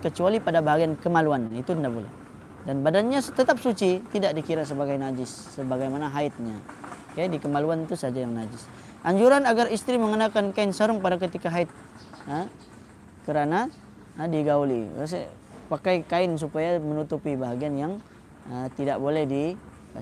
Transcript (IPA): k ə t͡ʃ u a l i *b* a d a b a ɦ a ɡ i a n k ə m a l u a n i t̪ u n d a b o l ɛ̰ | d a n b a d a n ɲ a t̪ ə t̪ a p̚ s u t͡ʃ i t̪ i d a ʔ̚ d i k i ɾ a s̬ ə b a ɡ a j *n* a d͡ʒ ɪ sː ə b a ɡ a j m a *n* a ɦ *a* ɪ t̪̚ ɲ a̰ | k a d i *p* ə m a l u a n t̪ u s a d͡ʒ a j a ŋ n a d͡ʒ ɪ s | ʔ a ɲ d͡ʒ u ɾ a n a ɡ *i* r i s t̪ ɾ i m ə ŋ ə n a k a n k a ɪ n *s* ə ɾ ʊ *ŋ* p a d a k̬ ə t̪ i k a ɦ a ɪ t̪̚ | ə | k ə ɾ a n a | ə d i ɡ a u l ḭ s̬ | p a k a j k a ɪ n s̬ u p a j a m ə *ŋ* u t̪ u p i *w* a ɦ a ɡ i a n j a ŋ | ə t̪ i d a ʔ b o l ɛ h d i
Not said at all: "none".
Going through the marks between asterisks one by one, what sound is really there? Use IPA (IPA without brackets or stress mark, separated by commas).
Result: p, n, n, a, k, a, s, ŋ, n, b